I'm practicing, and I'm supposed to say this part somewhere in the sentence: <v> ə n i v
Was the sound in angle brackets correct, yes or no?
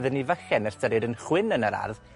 no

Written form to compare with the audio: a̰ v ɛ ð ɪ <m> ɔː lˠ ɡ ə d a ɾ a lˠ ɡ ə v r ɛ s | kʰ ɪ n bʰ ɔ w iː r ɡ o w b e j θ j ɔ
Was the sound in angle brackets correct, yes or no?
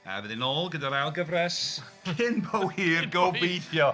no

